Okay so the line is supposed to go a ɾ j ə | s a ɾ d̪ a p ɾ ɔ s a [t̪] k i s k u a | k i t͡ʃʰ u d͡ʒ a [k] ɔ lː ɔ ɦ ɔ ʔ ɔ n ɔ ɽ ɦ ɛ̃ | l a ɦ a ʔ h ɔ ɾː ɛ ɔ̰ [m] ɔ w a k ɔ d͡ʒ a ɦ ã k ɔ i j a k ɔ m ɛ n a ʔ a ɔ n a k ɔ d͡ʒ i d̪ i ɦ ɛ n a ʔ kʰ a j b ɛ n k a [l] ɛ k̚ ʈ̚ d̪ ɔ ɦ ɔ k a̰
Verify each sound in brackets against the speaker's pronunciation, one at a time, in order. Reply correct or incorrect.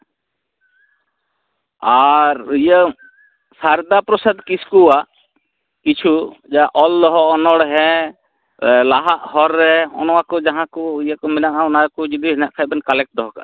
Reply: incorrect, incorrect, incorrect, correct

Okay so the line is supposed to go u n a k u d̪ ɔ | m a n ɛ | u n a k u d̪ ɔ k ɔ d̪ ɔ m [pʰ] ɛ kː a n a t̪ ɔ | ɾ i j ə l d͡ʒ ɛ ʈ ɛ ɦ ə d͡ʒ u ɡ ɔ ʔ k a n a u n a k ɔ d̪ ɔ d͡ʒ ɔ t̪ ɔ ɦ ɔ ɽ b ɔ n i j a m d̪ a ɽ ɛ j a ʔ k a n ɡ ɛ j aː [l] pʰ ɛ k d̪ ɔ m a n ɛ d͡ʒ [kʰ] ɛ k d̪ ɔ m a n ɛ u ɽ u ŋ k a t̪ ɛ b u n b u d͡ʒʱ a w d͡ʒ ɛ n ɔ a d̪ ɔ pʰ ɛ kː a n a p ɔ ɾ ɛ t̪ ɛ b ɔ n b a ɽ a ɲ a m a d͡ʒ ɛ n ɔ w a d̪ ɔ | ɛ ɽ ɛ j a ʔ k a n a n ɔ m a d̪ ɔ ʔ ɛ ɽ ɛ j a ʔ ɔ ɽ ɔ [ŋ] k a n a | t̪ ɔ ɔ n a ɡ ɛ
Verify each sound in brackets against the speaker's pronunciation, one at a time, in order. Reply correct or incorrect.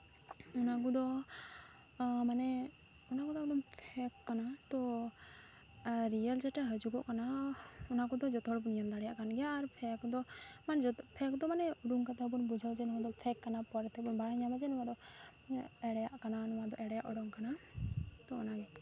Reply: correct, incorrect, incorrect, correct

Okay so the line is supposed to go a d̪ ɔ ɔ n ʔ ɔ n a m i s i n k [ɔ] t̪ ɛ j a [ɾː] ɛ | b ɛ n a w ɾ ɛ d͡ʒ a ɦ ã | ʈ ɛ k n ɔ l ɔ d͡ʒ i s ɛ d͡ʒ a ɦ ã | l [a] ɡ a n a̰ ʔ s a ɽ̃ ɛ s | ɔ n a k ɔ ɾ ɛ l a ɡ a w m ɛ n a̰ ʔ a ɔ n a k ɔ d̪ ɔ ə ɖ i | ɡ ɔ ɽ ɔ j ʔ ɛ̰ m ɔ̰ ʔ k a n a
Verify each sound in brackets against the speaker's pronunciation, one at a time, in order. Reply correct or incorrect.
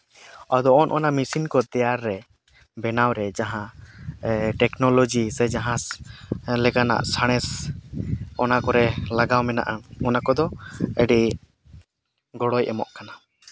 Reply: correct, correct, incorrect

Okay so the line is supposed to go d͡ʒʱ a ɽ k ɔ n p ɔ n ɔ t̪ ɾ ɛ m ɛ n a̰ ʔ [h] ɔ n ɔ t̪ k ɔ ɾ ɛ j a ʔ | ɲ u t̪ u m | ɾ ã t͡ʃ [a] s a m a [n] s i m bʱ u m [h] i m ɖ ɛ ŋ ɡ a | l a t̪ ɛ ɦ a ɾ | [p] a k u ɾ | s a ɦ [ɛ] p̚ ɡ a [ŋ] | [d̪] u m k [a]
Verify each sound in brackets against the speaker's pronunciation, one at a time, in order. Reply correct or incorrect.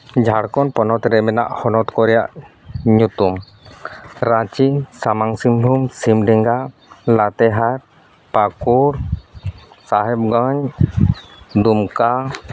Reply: correct, incorrect, incorrect, incorrect, correct, correct, incorrect, correct, correct

